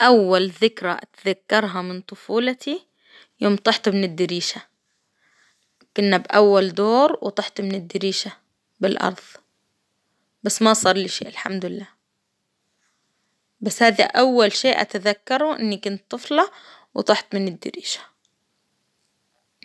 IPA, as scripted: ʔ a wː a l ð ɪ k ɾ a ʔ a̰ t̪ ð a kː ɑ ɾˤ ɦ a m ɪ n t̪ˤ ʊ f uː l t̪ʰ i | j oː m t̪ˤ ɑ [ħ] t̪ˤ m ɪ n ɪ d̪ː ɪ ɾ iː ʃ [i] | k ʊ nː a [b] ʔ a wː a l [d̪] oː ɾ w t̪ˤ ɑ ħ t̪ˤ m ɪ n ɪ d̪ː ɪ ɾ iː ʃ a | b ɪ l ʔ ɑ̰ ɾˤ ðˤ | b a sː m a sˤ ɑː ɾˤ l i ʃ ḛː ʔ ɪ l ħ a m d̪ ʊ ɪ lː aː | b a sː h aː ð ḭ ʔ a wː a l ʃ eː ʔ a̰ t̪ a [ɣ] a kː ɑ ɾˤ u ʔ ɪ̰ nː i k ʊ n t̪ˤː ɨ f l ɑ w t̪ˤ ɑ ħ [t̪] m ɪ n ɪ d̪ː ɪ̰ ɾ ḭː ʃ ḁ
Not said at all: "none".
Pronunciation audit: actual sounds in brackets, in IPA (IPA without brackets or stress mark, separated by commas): ħ, a, b, d̪, ð, t̪